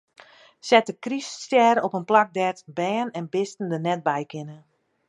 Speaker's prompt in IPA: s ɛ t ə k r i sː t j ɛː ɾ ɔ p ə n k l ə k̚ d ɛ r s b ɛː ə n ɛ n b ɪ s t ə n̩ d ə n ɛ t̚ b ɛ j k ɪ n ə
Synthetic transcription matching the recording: s ɛ t ə k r i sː t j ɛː ɾ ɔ p ə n p l a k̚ d ɛ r t b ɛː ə n ɛ n b ɪ s t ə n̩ d ə n ɛ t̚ b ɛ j k ɪ n ə